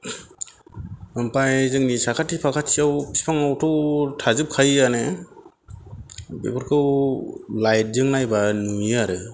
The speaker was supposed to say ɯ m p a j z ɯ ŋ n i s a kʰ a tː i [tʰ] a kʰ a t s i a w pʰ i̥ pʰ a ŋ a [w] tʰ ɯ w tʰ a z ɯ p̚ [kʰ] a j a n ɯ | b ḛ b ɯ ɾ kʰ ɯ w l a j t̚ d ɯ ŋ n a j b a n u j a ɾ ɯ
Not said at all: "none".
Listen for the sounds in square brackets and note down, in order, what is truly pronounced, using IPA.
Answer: pʰ, w, kʰ

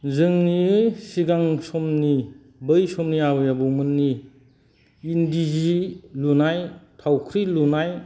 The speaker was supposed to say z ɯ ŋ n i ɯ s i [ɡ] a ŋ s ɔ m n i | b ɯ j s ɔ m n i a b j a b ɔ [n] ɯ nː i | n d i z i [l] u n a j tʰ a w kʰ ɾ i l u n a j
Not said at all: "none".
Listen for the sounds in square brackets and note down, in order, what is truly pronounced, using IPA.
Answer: ɡ, m, l

